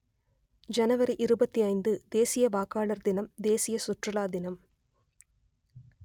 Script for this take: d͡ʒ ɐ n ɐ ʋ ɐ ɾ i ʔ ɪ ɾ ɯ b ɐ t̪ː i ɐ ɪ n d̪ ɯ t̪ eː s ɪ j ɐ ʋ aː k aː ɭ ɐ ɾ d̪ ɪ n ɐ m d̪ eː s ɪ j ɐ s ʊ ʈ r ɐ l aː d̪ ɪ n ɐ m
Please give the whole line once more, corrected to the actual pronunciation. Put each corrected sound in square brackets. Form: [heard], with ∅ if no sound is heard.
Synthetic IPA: d͡ʒ ɐ n ɐ ʋ ɐ ɾ i ʔ ɪ ɾ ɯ b ɐ t̪ː i ɐ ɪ n d̪ ɯ [d̪] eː s ɪ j ɐ ʋ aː k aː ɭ ɐ ɾ d̪ ɪ n ɐ m d̪ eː s ɪ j ɐ s ʊ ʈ r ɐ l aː d̪ ɪ n ɐ m